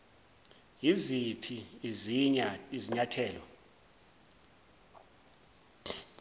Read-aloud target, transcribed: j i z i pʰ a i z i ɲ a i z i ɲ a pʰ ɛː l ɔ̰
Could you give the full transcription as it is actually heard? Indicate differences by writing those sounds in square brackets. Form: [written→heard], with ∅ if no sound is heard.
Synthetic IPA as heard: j i z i pʰ [a→i] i z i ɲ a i z i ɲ a [pʰ→tʰ] ɛː l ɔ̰